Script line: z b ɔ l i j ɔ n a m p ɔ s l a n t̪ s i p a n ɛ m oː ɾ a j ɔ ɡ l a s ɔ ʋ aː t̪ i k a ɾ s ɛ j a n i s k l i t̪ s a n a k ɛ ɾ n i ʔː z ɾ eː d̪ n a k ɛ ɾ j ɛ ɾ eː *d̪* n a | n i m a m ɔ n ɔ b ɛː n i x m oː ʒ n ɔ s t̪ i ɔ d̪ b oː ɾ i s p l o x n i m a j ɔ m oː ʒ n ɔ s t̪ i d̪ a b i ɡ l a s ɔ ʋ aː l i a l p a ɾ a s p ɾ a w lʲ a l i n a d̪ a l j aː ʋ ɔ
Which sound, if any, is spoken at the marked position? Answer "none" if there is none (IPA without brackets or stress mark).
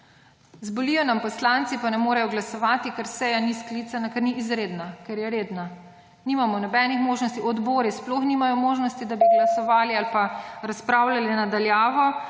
d̪